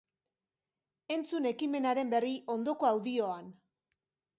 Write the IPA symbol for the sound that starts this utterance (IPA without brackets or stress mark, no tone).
e̞